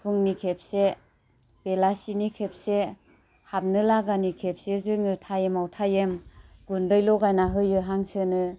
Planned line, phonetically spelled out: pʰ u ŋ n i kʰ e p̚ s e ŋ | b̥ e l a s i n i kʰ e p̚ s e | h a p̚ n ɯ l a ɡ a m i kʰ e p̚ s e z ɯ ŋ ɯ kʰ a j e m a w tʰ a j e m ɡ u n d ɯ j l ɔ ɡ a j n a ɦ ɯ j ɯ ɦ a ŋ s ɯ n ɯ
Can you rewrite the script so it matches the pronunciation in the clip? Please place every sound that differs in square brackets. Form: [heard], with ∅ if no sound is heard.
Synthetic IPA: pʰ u ŋ n i kʰ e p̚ s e [∅] | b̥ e l a s i n i kʰ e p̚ s e | h a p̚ n ɯ l a ɡ a [n] i kʰ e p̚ s e z ɯ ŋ ɯ [tʰ] a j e m a w tʰ a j e m ɡ u n d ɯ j l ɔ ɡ a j n a ɦ ɯ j ɯ ɦ a ŋ s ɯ n ɯ